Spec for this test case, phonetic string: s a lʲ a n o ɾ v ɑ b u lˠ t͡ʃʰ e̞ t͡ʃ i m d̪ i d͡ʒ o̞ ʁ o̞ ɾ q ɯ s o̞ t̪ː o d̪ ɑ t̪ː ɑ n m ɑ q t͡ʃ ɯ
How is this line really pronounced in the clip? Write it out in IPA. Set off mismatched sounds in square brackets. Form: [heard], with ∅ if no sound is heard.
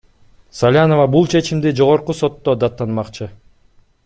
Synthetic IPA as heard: s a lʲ a n o [∅] v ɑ b u lˠ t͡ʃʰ e̞ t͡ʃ i m d̪ i d͡ʒ o̞ ʁ o̞ ɾ q [u] s o̞ t̪ː o d̪ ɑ t̪ː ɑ n m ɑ q t͡ʃ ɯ